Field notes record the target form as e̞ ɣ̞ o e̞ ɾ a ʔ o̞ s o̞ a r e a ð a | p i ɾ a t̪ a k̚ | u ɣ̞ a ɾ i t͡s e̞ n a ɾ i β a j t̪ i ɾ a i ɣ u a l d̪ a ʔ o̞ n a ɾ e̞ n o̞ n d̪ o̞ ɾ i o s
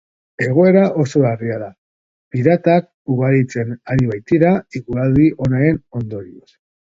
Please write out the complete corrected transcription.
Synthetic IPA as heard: e̞ ɣ̞ o e̞ ɾ a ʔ o̞ s o̞ a r i a ð a | p i ɾ a t̪ a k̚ | u ɣ̞ a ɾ i t͡s e̞ n a ɾ i β a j t̪ i ɾ a i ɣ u a l d̪ i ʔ o̞ n a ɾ e̞ n o̞ n d̪ o̞ ɾ i o s